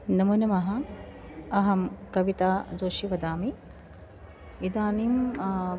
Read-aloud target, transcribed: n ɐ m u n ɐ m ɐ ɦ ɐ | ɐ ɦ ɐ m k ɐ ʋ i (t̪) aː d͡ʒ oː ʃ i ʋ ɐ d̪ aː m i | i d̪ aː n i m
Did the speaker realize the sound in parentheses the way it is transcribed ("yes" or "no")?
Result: yes